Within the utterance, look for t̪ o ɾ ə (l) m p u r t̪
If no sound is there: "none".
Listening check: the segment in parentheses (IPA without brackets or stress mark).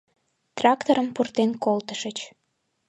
none